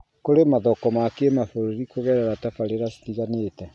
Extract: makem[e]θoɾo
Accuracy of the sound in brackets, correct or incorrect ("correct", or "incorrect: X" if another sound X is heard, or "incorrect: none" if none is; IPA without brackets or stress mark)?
incorrect: a